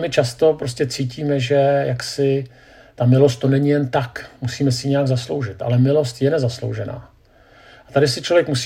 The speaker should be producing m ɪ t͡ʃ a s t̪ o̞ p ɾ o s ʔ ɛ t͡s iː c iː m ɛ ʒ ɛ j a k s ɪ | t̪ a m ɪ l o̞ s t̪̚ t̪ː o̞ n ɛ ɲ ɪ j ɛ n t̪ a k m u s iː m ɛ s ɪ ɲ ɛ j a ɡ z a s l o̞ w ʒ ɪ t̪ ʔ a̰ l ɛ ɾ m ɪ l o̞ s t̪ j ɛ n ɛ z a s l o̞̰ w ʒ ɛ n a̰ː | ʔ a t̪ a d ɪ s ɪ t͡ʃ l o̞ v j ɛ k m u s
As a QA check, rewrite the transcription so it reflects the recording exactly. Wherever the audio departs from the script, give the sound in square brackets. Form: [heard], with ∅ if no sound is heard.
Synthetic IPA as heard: m ɪ t͡ʃ a s t̪ o̞ p ɾ o s [c] ɛ t͡s iː c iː m ɛ ʒ ɛ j a k s ɪ | t̪ a m ɪ l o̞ s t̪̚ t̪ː o̞ n ɛ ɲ ɪ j ɛ n t̪ a k m u s iː m ɛ s ɪ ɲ ɛ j a ɡ z a s l o̞ w ʒ ɪ t̪ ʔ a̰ l ɛ [∅] m ɪ l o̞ s t̪ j ɛ n ɛ z a s l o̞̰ w ʒ ɛ n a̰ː | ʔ a t̪ a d ɪ s ɪ t͡ʃ l o̞ v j ɛ k m u s